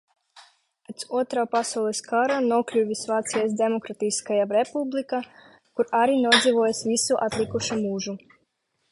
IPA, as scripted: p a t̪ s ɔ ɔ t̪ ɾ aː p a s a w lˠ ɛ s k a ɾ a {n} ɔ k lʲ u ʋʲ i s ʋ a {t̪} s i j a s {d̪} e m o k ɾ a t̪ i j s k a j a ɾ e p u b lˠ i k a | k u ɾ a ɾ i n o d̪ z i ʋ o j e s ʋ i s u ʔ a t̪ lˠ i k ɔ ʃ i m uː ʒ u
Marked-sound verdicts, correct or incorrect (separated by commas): correct, correct, correct